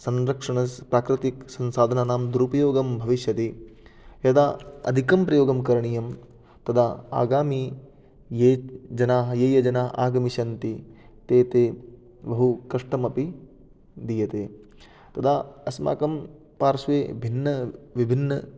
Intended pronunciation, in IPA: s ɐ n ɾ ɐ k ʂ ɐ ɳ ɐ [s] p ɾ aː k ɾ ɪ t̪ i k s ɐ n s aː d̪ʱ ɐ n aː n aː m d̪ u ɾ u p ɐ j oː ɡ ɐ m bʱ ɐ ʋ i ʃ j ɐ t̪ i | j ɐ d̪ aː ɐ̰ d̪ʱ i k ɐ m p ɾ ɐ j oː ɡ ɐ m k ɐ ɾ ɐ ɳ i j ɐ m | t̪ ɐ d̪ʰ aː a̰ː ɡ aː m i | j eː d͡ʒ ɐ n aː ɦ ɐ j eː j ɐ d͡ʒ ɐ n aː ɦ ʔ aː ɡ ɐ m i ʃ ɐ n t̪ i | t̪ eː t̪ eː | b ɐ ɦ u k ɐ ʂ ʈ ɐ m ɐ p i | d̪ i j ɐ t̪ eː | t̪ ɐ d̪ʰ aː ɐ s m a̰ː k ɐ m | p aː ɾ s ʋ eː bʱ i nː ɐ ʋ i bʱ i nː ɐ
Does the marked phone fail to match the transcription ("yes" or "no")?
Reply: no